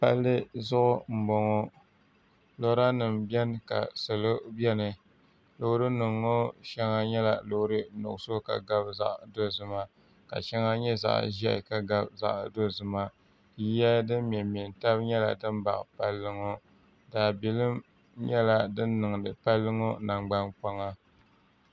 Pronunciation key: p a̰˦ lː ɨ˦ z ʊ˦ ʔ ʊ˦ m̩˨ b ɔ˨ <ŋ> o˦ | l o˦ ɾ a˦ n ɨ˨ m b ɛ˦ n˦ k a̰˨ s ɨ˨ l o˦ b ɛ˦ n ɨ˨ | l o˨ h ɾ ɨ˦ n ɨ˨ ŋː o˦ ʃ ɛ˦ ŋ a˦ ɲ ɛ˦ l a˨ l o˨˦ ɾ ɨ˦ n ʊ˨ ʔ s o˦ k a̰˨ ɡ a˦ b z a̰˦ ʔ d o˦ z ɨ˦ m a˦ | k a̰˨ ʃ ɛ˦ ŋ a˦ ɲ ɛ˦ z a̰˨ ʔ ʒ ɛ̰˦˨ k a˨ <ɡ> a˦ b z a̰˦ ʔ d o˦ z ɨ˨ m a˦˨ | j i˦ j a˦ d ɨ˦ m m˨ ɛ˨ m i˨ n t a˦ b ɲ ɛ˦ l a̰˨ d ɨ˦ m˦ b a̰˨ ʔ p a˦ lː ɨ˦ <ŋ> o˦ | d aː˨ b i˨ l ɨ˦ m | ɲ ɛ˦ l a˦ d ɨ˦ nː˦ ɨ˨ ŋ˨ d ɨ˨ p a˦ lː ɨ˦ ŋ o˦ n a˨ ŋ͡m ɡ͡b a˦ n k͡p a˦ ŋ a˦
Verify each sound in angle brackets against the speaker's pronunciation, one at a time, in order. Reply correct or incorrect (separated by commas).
correct, correct, correct